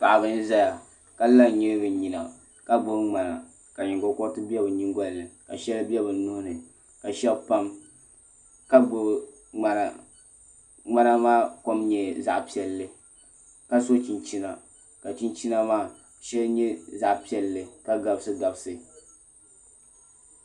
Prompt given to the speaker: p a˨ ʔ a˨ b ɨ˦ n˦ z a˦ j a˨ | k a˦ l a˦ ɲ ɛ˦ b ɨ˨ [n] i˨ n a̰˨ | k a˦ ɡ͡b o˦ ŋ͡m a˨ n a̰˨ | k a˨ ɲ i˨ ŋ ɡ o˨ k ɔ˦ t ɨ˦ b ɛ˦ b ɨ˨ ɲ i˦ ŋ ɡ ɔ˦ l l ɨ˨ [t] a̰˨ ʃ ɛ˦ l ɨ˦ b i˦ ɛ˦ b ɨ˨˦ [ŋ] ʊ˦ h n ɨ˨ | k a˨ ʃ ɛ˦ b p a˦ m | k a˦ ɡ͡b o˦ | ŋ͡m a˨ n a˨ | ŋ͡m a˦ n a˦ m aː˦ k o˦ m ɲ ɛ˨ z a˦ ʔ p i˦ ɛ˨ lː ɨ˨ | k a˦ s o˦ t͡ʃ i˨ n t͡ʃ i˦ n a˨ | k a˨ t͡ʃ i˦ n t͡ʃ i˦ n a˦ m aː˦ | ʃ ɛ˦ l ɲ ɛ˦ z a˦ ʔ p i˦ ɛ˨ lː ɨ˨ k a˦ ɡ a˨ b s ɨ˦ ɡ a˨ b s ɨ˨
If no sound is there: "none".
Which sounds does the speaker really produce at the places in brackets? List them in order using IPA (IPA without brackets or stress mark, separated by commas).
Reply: ɲ, k, n